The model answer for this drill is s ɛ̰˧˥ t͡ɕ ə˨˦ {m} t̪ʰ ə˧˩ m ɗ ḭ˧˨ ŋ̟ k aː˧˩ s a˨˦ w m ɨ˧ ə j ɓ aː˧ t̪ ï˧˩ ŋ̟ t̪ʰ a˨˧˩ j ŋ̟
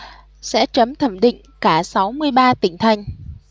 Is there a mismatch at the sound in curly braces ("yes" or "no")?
no